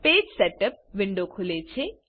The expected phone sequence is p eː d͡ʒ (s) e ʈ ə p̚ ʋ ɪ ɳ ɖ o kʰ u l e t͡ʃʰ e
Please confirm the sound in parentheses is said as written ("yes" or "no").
yes